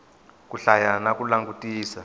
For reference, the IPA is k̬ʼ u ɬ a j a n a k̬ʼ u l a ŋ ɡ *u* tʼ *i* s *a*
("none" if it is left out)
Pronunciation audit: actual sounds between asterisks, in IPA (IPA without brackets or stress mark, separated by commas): u, iː, a